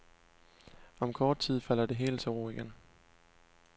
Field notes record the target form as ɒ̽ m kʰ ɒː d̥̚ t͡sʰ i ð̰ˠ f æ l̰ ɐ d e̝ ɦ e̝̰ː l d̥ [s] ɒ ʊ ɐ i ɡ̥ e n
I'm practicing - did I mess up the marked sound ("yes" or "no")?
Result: no